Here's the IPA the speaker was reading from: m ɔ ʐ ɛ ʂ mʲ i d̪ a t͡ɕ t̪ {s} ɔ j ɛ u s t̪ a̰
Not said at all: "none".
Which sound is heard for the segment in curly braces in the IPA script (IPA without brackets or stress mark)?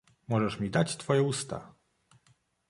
f